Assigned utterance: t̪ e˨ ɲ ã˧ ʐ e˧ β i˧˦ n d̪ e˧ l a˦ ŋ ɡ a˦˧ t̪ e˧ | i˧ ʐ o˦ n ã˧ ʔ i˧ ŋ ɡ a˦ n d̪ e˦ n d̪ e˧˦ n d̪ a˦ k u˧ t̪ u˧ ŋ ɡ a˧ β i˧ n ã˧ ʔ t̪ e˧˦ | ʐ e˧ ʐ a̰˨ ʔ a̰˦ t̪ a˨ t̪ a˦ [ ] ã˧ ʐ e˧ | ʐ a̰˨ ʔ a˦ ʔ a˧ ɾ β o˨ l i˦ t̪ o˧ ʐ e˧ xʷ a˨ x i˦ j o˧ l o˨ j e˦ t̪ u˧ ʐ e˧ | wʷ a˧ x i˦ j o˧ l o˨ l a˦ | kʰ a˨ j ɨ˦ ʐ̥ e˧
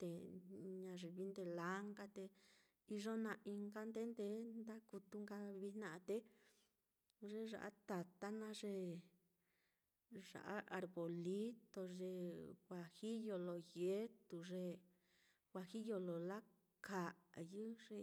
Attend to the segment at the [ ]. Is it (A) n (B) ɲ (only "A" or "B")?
A